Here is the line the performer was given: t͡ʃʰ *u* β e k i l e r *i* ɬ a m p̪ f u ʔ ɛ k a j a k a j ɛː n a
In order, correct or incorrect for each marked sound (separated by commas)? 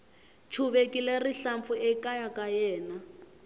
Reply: correct, correct